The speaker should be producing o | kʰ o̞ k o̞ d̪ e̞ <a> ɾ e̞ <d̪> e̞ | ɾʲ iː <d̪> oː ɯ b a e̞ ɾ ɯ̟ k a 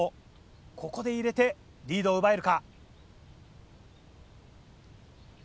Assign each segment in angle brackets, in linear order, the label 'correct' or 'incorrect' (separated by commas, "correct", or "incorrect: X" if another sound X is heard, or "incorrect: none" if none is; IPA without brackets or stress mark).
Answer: incorrect: i, incorrect: t̪, correct